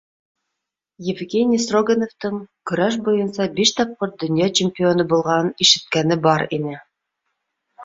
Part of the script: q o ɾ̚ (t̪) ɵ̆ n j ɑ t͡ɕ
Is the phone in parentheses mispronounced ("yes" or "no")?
yes